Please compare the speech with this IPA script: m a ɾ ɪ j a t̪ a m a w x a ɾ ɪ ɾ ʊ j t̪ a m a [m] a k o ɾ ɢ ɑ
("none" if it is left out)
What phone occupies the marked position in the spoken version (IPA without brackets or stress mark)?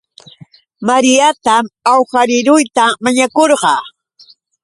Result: ɲ